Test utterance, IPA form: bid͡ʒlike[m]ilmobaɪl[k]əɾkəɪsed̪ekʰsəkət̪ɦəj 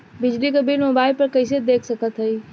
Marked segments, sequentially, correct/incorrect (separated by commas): incorrect, incorrect